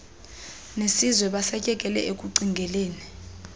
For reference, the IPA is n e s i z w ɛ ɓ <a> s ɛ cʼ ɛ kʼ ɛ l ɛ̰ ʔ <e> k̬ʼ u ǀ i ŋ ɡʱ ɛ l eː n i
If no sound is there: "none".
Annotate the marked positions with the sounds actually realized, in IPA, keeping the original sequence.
a, e

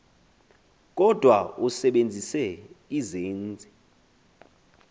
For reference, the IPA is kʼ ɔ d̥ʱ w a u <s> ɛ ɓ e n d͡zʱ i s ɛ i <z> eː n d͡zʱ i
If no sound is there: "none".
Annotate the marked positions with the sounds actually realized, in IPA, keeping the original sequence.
s, z

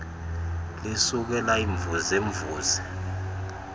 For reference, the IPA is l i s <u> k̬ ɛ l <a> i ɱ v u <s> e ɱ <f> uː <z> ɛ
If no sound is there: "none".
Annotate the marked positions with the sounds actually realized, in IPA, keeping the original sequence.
u, a, z, v, z

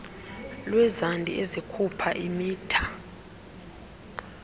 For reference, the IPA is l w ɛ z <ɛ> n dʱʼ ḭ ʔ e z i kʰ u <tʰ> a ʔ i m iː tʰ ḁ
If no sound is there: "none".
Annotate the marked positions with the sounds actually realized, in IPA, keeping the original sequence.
a, pʰ

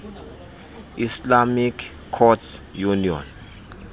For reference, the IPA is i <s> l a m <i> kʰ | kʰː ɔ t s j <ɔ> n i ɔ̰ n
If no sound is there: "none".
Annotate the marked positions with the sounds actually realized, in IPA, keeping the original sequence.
s, i, u

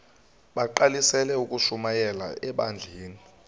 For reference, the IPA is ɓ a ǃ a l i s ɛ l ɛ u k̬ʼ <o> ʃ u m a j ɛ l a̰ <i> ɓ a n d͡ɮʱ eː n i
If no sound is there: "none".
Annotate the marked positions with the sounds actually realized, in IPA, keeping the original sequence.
u, ɛ

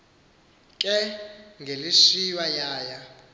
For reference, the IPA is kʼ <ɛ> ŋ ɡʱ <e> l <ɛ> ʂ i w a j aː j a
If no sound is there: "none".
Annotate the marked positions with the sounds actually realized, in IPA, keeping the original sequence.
ɛ, e, i

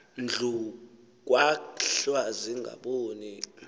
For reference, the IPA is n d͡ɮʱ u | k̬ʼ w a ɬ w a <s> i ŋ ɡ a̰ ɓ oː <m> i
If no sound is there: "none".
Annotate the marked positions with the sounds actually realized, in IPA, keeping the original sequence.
z, n

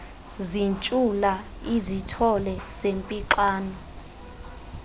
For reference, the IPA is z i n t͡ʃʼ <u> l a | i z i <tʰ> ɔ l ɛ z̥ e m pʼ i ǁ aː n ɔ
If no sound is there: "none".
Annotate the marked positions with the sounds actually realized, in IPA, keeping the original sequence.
u, tʰ

